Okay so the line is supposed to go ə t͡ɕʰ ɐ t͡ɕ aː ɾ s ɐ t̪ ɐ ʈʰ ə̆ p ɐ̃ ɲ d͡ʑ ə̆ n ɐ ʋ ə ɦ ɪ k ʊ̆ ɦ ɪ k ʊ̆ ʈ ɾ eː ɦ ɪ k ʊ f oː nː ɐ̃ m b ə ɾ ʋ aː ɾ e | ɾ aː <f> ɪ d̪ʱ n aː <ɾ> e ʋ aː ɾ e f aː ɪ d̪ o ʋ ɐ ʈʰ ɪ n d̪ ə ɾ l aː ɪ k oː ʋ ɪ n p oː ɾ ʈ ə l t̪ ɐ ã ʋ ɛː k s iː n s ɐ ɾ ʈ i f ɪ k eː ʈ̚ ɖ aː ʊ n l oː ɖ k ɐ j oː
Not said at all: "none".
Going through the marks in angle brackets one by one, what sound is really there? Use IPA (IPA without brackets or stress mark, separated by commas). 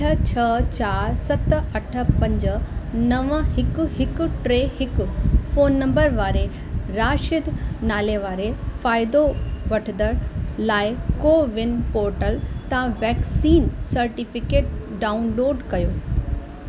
ʃ, l